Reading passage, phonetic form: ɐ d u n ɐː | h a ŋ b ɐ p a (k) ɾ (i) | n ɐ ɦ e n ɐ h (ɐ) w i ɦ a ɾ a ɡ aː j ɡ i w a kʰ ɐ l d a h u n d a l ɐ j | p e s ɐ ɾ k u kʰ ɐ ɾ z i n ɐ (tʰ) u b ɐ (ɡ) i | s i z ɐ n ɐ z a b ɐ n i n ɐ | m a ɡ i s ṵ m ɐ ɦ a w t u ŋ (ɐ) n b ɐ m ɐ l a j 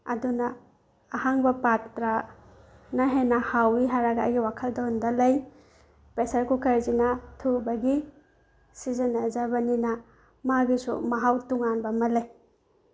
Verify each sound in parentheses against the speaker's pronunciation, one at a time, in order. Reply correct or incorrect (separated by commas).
incorrect, incorrect, incorrect, correct, correct, incorrect